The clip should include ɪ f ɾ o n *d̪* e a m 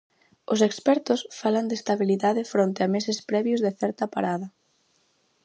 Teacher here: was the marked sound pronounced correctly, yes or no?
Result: no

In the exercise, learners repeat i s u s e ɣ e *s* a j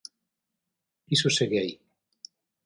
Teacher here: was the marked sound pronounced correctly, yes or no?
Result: no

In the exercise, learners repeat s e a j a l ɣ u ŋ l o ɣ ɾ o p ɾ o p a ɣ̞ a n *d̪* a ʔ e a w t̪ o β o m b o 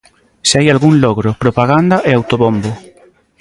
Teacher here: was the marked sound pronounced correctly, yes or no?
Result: yes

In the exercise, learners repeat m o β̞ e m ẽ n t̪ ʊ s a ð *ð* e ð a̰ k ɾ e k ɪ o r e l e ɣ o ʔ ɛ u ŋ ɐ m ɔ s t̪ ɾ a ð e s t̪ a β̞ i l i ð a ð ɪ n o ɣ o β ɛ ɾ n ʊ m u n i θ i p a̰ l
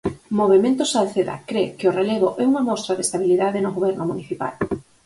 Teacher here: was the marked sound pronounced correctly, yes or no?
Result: no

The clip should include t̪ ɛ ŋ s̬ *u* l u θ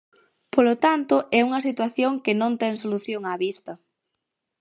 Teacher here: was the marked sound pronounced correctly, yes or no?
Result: no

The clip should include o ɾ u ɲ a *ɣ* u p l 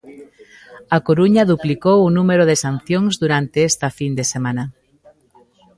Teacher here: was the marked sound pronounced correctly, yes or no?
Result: no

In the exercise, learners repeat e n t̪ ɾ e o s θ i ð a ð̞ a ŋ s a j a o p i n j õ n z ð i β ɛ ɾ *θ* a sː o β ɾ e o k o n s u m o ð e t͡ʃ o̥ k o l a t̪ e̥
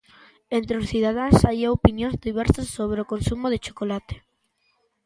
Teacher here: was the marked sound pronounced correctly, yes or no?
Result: no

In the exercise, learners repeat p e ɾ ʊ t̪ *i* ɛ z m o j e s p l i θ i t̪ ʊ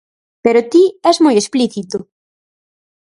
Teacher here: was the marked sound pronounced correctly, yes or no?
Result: yes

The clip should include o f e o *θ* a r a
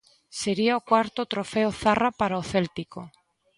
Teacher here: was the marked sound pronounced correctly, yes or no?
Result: yes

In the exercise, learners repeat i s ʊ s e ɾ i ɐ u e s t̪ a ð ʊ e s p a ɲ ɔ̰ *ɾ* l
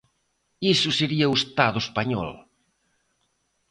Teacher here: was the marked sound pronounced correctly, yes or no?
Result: no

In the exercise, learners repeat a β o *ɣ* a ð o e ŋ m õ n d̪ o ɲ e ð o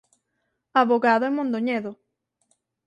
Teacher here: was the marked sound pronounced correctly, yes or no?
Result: yes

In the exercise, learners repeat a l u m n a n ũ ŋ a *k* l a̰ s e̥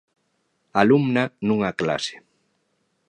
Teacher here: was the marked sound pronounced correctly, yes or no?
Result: yes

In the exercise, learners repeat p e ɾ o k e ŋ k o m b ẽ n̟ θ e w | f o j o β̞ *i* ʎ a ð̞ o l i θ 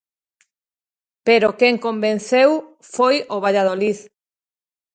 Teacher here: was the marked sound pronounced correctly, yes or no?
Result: no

